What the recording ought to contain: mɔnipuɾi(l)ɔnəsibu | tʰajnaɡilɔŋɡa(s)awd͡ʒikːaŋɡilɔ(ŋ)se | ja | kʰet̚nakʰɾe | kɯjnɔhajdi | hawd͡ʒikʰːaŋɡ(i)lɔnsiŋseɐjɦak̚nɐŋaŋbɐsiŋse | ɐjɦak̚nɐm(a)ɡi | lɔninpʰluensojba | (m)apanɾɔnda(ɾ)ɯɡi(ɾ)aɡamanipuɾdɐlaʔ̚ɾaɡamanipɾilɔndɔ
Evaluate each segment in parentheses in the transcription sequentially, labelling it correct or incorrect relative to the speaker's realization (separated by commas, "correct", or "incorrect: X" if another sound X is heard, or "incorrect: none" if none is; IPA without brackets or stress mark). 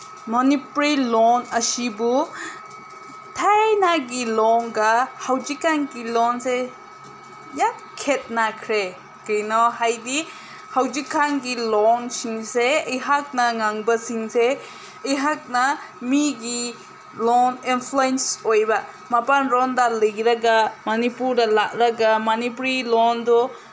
correct, incorrect: h, incorrect: n, correct, incorrect: i, correct, incorrect: l, correct